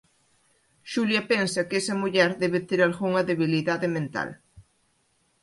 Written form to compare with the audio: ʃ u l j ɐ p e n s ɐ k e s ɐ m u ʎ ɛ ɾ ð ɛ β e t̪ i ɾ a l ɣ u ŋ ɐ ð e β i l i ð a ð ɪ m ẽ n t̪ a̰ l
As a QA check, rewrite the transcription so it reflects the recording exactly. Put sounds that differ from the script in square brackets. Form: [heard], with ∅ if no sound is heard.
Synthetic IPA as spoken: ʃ u l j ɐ p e n s ɐ k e s ɐ m u ʎ ɛ ɾ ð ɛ β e t̪ [e] ɾ a l ɣ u ŋ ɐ ð e β i l i ð a ð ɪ m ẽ n t̪ a̰ l